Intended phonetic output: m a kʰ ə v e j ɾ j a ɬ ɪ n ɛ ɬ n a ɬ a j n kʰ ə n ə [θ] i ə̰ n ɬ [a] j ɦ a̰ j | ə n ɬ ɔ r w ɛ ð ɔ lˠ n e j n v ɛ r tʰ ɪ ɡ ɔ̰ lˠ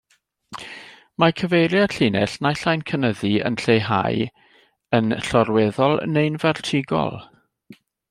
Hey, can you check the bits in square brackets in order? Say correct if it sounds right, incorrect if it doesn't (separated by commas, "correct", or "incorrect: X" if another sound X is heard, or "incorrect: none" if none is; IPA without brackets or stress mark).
incorrect: ð, incorrect: e